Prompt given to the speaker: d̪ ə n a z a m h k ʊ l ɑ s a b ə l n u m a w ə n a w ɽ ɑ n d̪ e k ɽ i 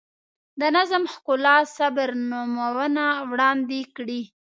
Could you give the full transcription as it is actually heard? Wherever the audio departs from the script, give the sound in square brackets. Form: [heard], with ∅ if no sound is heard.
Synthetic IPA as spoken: d̪ ə n a z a m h k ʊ l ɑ s a b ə [ɾ] n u m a w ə n a w ɽ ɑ n d̪ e k ɽ i